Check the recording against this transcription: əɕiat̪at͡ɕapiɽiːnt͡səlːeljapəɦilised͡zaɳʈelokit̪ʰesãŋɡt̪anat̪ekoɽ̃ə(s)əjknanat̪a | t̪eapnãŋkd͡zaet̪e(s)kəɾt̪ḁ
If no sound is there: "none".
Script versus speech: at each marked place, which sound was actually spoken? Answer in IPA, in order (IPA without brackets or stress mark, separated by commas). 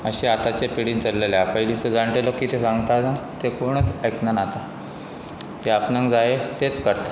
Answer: t͡s, t͡s